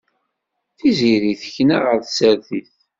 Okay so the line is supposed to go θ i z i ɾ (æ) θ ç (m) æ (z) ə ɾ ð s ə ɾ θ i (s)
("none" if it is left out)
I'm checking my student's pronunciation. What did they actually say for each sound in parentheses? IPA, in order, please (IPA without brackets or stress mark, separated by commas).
i, n, ʁ, θ